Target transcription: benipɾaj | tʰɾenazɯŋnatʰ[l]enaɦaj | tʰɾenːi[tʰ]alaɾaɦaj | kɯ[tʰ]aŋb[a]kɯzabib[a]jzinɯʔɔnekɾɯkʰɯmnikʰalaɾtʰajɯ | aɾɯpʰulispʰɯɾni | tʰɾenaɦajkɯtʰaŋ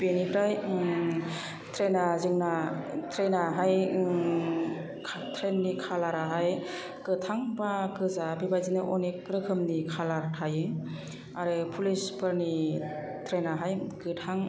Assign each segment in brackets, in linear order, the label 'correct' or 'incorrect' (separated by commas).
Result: incorrect, incorrect, correct, correct, correct